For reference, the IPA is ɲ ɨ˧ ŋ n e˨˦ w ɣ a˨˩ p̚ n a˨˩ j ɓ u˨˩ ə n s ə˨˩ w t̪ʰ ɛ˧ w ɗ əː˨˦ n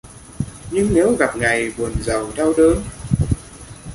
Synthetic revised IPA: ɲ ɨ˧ ŋ n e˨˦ w ɣ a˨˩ p̚ ŋ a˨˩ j ɓ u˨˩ ə n z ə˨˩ w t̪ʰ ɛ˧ w ɗ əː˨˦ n